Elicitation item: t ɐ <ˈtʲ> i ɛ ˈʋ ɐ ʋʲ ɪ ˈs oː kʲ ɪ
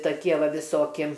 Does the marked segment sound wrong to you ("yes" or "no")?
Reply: yes